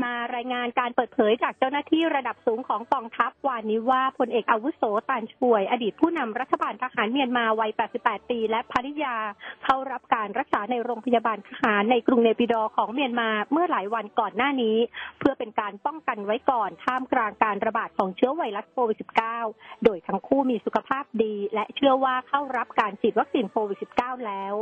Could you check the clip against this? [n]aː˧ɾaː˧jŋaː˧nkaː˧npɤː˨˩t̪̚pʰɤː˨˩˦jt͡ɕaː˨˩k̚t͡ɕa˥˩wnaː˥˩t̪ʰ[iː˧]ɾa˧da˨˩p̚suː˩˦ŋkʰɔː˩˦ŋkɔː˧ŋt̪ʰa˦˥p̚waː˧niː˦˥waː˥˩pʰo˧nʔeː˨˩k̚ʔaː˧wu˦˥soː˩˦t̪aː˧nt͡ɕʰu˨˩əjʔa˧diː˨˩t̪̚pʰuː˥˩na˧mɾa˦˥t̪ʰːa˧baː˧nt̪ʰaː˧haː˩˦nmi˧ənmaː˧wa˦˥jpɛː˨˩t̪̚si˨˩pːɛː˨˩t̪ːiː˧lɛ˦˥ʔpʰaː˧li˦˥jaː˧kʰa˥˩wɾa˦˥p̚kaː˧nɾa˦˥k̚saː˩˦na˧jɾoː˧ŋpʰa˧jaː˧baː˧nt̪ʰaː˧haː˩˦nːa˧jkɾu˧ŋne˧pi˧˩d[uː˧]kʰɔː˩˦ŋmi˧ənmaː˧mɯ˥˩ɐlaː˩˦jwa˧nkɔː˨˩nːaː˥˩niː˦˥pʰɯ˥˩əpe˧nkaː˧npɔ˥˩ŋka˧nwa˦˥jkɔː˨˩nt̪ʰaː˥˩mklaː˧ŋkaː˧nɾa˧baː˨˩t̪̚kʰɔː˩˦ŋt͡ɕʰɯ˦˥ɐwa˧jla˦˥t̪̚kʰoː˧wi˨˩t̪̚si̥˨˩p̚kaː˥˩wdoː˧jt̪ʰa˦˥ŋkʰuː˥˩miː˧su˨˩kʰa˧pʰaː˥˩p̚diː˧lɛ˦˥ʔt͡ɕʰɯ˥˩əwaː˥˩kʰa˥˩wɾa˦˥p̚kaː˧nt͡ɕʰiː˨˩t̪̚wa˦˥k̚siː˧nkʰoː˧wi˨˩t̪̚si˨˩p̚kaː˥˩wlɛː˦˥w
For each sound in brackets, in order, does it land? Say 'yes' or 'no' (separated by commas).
no, no, no